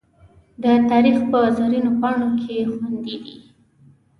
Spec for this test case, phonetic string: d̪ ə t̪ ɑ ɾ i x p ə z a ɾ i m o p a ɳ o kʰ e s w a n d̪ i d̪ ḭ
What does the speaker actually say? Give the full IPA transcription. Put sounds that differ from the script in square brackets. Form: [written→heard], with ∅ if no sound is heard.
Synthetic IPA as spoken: d̪ ə t̪ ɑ ɾ i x p ə z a ɾ i [m→n] o p [a→ɑ] ɳ o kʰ e [s→x] w a n d̪ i d̪ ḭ